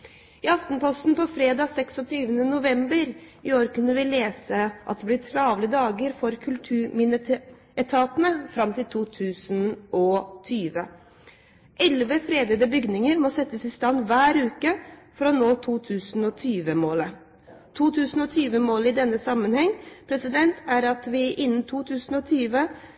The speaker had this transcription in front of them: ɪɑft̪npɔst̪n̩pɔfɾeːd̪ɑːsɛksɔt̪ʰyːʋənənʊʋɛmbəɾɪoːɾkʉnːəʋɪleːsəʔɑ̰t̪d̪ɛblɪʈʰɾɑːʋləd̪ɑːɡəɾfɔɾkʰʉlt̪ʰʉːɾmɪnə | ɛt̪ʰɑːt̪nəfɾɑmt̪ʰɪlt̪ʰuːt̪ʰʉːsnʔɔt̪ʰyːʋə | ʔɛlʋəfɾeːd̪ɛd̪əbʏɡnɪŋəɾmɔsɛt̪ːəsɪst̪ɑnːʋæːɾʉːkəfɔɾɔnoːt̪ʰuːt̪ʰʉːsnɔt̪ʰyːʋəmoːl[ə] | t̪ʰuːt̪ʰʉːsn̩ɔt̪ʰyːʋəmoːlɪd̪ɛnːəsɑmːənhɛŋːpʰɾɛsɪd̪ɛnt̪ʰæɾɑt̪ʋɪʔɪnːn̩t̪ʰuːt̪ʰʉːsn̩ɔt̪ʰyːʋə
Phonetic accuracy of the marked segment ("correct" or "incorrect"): correct